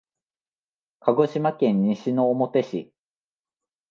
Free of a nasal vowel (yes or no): no